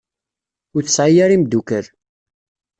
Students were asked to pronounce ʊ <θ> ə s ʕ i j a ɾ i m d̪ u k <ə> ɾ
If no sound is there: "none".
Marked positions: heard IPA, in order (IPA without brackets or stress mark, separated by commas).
θ, ə